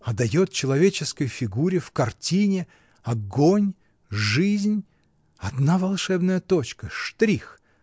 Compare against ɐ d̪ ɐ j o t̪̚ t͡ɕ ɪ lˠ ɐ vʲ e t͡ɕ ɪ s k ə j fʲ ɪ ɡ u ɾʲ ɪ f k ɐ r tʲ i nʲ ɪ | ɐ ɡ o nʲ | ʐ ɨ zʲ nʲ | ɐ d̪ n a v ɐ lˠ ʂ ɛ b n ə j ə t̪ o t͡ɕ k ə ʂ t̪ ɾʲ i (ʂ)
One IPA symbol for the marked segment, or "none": x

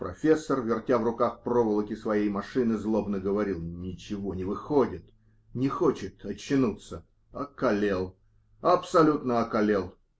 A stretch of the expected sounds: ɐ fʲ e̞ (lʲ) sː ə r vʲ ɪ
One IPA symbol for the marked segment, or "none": none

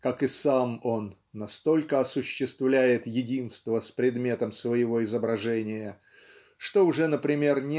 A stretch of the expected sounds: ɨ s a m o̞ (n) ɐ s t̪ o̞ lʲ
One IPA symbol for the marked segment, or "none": nː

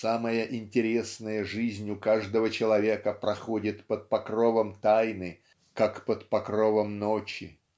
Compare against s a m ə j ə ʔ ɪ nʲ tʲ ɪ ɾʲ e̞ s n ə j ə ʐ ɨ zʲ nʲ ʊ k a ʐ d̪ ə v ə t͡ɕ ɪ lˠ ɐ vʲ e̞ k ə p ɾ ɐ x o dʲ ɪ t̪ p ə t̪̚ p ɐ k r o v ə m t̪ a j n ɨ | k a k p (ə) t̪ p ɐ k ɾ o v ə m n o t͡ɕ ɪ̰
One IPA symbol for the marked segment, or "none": ə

